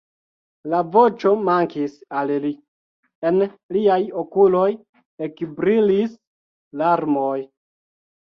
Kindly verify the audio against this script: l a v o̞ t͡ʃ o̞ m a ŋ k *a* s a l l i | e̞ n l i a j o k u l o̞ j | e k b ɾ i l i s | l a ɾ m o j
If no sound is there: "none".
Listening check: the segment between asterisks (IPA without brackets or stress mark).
i